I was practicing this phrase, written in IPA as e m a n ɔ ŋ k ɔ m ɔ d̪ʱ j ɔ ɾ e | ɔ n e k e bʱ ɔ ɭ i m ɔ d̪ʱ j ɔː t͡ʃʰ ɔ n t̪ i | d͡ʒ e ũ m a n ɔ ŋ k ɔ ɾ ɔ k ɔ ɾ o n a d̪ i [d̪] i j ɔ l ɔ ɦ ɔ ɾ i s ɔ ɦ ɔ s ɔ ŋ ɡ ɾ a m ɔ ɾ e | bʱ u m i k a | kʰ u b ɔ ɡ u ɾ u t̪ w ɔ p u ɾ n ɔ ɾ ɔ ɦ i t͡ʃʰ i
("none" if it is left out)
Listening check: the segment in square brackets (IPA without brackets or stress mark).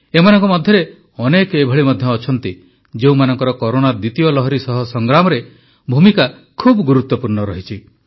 t̪